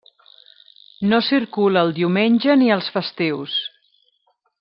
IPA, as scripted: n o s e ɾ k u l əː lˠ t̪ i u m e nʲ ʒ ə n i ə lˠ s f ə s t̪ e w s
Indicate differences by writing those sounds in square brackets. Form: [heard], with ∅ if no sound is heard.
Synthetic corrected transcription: n o s [i] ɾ k u l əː lˠ [d̪] i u m e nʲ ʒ ə n i ə lˠ s f ə s t̪ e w s